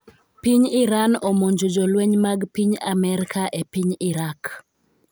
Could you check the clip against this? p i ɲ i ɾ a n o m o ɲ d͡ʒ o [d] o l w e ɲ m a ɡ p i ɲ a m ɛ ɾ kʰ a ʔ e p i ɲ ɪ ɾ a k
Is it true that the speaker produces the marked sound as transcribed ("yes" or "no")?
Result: no